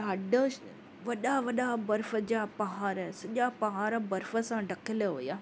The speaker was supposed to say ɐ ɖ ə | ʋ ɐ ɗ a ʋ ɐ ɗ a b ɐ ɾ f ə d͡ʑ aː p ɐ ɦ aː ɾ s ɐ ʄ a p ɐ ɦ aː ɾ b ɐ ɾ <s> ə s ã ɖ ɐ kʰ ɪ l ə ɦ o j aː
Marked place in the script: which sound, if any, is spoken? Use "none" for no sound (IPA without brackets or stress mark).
f